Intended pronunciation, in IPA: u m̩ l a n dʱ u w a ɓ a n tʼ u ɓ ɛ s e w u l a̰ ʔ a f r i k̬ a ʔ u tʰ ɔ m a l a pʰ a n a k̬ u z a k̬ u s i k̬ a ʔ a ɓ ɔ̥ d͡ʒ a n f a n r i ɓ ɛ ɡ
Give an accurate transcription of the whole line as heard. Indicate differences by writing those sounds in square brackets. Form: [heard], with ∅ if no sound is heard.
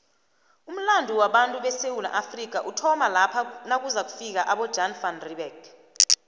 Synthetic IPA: u m̩ l a n dʱ u w a ɓ a n tʼ u ɓ ɛ s e w u l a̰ ʔ a f r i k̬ a ʔ u tʰ ɔ m a l a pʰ a n a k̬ u z a k̬ u [f] i k̬ a ʔ a ɓ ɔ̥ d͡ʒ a n f a n r i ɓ ɛ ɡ